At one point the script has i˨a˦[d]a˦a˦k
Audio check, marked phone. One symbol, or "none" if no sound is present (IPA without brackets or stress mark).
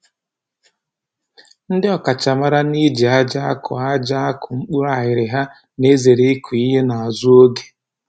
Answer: d͡ʒ